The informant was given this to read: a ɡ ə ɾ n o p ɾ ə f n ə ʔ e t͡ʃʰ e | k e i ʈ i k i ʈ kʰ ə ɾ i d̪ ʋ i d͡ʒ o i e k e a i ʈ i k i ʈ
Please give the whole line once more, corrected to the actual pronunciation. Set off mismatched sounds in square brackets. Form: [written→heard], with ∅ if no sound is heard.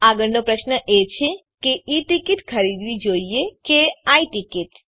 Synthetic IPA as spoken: a ɡ ə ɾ n o p ɾ ə [f→ʃ] n ə ʔ e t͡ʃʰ e | k e i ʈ i k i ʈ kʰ ə ɾ i d̪ ʋ i d͡ʒ o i e k e a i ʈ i k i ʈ